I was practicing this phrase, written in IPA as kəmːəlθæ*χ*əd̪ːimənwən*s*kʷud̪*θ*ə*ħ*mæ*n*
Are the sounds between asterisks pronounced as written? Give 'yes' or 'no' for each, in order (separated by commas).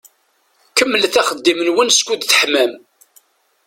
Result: yes, yes, yes, yes, no